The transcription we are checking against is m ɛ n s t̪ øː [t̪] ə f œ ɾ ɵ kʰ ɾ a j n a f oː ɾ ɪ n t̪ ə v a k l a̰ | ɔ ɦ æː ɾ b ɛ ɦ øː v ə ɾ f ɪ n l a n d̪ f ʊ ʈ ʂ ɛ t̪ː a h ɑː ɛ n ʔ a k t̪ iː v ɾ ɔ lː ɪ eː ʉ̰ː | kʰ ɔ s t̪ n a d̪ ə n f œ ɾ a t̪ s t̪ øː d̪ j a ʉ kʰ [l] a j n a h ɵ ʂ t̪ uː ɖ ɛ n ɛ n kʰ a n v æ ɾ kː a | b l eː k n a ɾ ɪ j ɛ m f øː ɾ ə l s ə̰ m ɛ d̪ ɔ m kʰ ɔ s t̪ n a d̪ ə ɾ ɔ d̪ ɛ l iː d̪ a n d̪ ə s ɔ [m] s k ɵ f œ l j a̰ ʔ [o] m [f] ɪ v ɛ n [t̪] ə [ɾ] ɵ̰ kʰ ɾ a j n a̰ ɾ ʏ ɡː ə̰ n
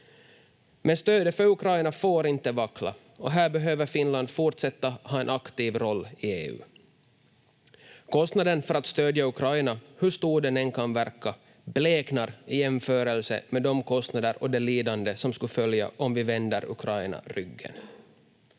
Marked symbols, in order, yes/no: no, no, yes, no, no, no, yes

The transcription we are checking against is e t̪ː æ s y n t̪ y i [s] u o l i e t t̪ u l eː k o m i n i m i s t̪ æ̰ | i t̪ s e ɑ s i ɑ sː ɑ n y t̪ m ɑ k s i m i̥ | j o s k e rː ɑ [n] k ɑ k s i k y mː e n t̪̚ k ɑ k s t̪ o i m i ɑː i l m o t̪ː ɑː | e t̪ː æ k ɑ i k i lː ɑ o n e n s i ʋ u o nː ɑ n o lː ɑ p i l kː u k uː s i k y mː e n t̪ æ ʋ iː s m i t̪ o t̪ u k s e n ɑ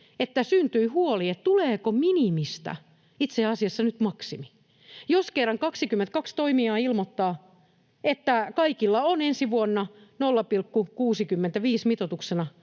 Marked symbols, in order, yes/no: no, no

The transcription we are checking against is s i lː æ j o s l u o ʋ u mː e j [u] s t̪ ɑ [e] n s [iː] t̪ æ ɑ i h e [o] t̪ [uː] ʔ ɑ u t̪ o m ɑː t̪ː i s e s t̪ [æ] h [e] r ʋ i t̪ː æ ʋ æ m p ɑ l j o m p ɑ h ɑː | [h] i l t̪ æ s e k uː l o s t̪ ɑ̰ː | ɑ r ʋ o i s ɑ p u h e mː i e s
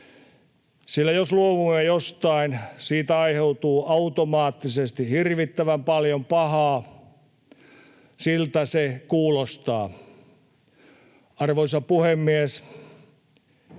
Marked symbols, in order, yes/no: no, no, yes, no, yes, no, no, no

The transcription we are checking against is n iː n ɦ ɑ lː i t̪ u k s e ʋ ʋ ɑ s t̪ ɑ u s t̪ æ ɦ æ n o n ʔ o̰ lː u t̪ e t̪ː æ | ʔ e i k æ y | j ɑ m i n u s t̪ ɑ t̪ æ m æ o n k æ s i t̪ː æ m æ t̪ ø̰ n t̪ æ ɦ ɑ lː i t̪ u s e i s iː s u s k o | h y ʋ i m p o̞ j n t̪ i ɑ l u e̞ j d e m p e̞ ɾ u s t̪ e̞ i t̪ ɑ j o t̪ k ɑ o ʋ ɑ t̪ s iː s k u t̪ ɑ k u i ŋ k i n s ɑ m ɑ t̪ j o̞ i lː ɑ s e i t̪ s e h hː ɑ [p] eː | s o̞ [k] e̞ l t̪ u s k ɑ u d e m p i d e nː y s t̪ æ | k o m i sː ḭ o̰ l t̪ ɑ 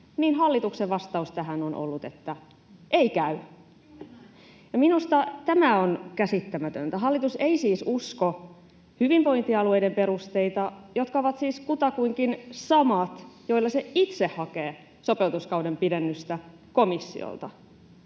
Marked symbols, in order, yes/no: no, no

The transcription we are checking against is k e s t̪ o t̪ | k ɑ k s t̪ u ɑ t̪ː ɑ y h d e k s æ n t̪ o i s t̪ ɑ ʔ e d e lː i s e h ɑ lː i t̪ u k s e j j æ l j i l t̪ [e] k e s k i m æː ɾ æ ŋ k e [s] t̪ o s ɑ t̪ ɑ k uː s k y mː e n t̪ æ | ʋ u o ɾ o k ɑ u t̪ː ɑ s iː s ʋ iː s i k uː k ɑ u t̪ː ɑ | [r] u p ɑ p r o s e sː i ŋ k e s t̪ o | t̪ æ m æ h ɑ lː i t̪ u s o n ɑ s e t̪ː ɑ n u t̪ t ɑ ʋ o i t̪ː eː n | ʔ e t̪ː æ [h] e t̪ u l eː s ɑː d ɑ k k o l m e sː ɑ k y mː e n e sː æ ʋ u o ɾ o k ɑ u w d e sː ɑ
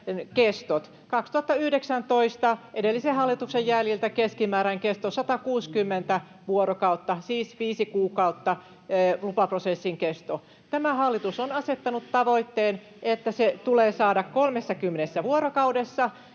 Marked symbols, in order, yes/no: no, yes, no, no

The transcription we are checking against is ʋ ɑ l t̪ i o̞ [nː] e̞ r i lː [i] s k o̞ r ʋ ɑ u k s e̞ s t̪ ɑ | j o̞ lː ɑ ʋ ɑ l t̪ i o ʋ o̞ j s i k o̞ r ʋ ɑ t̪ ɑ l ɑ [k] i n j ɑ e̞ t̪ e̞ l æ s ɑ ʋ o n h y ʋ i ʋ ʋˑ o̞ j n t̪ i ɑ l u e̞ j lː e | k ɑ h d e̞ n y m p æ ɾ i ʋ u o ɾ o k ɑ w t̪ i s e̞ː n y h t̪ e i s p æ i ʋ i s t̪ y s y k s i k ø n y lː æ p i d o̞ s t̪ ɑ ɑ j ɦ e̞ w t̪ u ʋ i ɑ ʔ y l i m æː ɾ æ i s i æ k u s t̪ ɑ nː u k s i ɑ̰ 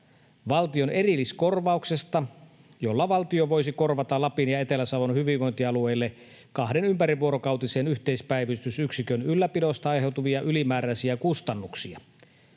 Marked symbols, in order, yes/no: no, yes, no

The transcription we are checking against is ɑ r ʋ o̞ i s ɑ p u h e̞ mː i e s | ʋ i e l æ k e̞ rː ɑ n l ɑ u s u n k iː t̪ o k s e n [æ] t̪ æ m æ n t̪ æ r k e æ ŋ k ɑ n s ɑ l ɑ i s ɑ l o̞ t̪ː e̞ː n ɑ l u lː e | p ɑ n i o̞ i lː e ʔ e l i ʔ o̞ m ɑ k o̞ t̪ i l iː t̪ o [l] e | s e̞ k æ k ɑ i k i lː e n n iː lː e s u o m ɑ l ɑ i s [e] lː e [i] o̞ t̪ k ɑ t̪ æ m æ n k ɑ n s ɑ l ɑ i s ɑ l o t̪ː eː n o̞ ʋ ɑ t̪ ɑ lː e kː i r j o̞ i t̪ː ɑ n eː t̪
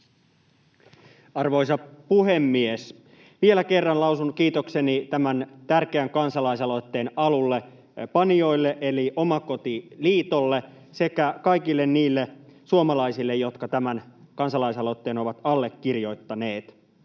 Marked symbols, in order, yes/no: no, no, no, no

